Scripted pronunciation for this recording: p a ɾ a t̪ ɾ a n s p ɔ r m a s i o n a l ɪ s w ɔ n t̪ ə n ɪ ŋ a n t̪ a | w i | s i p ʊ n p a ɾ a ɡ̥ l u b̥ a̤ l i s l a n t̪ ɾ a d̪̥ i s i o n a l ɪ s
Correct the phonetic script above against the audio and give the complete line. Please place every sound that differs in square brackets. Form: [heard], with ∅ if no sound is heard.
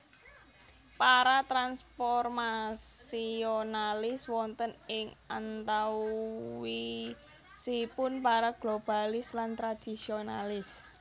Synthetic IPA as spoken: p a ɾ a t̪ ɾ a n s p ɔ r m a s i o n a l ɪ s w ɔ n t̪ ə n ɪ ŋ a n t̪ a | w i | s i p ʊ n p a ɾ a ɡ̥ l [o] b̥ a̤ l [ɪ] s l a n t̪ ɾ a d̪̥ i s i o n a l ɪ s